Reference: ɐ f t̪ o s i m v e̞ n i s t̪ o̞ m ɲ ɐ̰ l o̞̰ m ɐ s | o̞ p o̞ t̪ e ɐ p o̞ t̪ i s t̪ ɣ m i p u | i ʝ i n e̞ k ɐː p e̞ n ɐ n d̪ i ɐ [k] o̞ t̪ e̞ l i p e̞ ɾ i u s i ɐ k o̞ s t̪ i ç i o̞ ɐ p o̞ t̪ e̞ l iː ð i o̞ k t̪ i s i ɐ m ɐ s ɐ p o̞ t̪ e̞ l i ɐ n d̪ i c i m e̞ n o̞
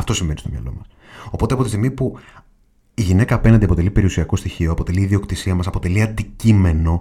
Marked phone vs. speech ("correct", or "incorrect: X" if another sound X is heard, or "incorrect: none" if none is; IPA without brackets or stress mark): incorrect: p